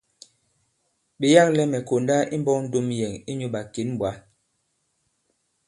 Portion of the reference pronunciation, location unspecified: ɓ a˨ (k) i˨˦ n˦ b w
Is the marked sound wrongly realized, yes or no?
no